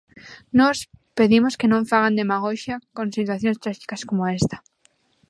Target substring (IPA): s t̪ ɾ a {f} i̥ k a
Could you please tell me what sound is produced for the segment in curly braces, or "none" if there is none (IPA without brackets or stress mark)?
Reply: ʃ